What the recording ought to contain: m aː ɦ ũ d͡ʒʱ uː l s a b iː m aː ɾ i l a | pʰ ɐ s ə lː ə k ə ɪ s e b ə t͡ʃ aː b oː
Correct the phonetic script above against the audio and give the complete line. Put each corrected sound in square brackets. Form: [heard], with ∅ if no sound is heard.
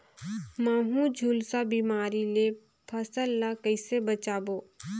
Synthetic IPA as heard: m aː ɦ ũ d͡ʒʱ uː l s a b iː m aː ɾ i l [e] | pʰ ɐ s ə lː [a] k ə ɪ s e b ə t͡ʃ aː b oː